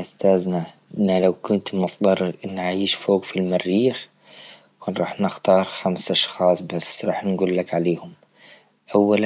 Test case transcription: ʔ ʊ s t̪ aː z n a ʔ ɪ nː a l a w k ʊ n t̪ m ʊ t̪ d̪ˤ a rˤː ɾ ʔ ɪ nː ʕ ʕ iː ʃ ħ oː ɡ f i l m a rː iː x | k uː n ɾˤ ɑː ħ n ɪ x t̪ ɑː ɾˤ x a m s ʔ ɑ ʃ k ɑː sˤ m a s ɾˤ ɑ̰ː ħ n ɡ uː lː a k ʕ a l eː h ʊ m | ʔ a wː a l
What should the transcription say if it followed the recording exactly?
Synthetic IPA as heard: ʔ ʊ s t̪ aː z n a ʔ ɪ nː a l a w k ʊ n t̪ m ʊ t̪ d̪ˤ ɑ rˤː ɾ ʔ ɪ nː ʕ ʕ iː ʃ f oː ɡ f i l m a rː iː x | k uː n ɾˤ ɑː ħ n ɪ x t̪ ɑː ɾˤ x a m s ʔ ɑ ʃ x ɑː sˤ b a s ɾˤ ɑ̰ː ħ n ɡ uː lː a k ʕ a l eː h ʊ m | ʔ a wː a l